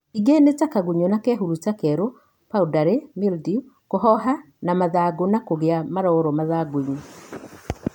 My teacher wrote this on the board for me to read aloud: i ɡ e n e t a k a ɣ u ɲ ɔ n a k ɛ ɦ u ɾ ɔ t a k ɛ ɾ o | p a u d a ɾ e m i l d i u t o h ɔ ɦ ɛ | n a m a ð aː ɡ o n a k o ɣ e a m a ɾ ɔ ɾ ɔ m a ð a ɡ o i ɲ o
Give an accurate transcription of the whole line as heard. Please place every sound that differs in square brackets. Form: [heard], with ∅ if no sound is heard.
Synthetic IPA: i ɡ e n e t a k a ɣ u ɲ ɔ n a k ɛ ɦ u ɾ [u] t a k ɛ ɾ o | p a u d a ɾ e m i l d i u [k] o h ɔ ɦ [a] | n a m a ð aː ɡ o n a k o ɣ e a m a ɾ ɔ ɾ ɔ m a ð a ɡ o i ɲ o